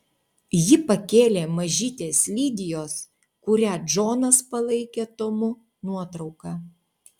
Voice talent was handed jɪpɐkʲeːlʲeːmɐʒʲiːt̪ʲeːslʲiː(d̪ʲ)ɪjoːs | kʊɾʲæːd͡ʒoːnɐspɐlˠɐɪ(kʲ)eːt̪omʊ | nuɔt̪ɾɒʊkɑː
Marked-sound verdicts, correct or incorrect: correct, correct

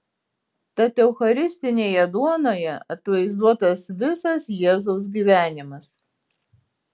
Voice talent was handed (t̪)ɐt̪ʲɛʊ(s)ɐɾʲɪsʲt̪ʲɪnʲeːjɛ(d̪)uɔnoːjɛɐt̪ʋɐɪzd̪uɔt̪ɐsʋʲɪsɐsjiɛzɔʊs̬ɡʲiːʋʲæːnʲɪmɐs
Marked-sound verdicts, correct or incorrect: correct, incorrect, correct

